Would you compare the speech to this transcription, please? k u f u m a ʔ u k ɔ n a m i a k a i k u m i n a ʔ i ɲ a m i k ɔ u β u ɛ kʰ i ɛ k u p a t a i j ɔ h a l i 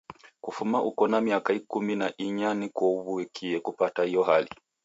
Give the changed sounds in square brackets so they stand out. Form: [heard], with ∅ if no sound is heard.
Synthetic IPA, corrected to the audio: k u f u m a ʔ u k ɔ n a m i a k a i k u m i n a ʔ i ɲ a [n] i k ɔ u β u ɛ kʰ i ɛ k u p a t a i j ɔ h a l i